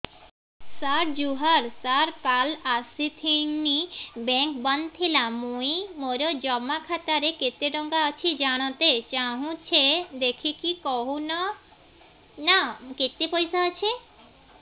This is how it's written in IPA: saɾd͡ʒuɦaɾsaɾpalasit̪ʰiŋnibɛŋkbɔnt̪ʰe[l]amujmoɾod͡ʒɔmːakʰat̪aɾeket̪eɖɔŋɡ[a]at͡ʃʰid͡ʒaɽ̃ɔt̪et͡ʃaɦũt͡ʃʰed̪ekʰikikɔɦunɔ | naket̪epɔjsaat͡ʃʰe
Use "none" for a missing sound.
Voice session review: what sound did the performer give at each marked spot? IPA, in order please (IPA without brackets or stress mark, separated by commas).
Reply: l, a